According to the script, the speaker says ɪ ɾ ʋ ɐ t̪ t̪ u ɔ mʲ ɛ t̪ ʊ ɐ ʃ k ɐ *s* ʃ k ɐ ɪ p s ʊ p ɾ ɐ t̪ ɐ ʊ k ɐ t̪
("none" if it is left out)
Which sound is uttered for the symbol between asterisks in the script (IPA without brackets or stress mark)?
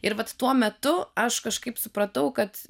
none